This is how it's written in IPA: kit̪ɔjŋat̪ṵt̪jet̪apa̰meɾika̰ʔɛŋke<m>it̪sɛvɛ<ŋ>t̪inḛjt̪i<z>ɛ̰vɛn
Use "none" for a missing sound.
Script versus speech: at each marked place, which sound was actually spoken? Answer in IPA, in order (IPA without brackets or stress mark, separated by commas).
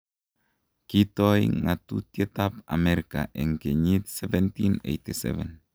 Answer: ɲ, n, s